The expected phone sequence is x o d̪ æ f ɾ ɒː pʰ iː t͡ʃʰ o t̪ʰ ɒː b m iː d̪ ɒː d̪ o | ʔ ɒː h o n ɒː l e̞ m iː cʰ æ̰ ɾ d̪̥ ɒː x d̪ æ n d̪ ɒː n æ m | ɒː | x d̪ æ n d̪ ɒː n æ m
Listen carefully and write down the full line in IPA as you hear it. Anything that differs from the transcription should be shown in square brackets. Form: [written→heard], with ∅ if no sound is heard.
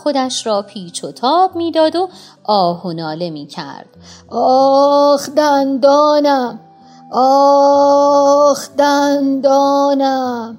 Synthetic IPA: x o d̪ æ [f→ʃ] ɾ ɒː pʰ iː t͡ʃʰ o t̪ʰ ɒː b m iː d̪ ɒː d̪ o | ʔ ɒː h o n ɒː l e̞ m iː cʰ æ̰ ɾ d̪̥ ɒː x d̪ æ n d̪ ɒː n æ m | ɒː | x d̪ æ n d̪ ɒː n æ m